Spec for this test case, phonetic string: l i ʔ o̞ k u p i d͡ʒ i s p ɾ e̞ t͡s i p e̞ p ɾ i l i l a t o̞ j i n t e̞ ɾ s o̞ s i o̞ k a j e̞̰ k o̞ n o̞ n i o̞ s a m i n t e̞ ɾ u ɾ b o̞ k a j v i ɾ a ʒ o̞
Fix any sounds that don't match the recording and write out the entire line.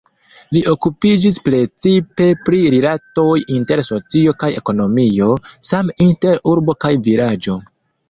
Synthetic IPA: l i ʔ o̞ k u p i d͡ʒ i s p ɾ e̞ t͡s i p e̞ p ɾ i ɾ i l a t o̞ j i n t e̞ ɾ s o̞ t͡s i o̞ k a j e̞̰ k o̞ n o̞ m i o̞ s a m i n t e̞ ɾ u ɾ b o̞ k a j v i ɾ a d͡ʒ o̞